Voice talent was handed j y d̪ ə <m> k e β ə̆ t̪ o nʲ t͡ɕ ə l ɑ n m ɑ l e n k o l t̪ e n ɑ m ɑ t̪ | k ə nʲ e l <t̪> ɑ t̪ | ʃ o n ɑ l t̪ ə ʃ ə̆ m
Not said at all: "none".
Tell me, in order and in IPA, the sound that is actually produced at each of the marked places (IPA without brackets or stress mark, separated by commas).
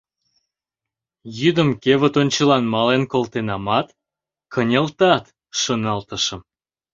m, t̪